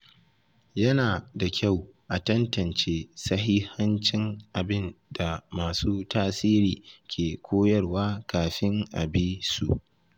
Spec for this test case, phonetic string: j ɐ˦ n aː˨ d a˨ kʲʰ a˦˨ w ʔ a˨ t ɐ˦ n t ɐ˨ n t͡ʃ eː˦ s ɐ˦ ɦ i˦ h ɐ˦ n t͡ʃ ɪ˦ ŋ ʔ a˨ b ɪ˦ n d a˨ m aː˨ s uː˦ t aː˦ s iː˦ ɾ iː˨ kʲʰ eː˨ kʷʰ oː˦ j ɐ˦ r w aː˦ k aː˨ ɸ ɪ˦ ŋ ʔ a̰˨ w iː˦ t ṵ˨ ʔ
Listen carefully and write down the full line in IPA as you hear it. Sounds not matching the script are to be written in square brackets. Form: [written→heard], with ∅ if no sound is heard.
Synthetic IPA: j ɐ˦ n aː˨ d a˨ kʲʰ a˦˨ w ʔ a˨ t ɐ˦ n t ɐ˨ n t͡ʃ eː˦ s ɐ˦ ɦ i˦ h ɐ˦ n t͡ʃ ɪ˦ ŋ ʔ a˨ b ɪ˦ n d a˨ m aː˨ s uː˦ t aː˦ s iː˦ ɾ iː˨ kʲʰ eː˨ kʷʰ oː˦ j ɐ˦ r w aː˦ k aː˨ ɸ ɪ˦ ŋ ʔ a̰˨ [w→b] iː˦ [t→s] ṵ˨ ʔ